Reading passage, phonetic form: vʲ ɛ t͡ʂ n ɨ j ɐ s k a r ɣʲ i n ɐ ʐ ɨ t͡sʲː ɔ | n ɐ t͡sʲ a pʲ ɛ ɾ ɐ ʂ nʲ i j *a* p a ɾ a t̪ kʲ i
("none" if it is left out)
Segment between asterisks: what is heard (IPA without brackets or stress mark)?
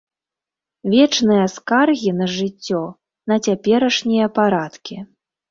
ɐ